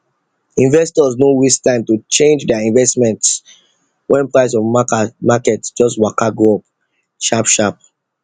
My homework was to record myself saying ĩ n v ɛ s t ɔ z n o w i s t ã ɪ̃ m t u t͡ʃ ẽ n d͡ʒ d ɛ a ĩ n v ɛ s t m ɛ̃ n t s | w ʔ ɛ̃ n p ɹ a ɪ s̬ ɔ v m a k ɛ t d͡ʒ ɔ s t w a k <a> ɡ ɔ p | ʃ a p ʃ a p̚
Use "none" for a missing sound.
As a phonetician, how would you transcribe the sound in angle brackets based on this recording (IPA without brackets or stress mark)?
a